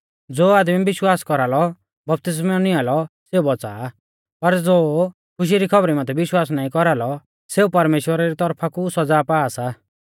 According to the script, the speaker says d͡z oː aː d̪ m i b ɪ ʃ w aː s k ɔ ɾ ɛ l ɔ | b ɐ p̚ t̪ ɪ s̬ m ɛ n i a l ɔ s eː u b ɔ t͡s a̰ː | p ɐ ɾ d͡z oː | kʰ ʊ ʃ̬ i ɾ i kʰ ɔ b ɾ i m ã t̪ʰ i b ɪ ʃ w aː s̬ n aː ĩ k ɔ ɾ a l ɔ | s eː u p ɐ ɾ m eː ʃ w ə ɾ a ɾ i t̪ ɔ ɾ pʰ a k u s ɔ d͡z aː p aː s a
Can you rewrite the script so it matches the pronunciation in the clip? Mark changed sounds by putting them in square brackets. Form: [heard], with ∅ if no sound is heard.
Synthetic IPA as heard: d͡z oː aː d̪ m i b ɪ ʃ w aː s k ɔ ɾ [a] l ɔ | b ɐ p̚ t̪ ɪ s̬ m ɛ n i a l ɔ s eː u b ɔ t͡s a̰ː | p ɐ ɾ d͡z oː | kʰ ʊ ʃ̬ i ɾ i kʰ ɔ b ɾ i m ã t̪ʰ [ɛ] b ɪ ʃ w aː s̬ n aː ĩ k ɔ ɾ a l ɔ | s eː u p ɐ ɾ m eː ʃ w ə ɾ a ɾ i t̪ ɔ ɾ pʰ a k u s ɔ d͡z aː p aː s a